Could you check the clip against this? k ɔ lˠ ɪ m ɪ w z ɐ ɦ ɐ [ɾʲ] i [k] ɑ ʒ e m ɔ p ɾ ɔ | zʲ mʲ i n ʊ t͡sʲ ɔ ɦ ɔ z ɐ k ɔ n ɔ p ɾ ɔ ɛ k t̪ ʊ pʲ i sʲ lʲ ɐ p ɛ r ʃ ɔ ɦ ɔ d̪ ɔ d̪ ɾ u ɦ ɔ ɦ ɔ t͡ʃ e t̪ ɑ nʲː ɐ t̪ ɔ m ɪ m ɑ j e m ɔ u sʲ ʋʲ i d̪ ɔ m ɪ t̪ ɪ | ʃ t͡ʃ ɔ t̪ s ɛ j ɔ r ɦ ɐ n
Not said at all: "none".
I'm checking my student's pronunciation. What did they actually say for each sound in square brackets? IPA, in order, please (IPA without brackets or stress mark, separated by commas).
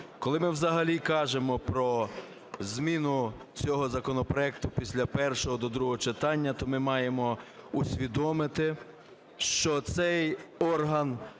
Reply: lʲ, k